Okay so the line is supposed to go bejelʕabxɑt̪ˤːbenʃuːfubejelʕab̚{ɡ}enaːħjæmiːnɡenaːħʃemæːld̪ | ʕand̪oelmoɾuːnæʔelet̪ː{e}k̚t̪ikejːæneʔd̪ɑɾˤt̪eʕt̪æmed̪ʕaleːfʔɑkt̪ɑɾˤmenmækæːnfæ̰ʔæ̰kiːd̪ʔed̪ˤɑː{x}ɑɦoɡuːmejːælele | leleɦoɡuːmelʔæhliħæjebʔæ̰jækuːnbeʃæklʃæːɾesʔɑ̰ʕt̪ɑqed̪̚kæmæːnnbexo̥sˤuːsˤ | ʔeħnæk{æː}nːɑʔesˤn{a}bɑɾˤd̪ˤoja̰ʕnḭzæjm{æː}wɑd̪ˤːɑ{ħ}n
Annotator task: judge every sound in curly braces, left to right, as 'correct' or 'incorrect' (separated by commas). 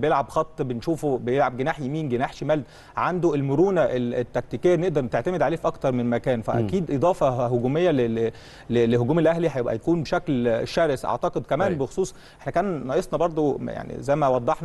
correct, incorrect, incorrect, correct, incorrect, incorrect, correct